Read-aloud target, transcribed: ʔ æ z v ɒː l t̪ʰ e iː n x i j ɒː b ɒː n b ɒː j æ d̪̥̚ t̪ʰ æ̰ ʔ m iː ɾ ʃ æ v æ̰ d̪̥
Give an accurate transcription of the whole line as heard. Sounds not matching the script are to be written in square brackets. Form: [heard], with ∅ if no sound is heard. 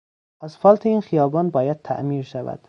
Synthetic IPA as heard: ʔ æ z [f] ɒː l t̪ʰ e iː n x i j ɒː b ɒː n b ɒː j æ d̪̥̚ t̪ʰ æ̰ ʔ m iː ɾ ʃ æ v æ̰ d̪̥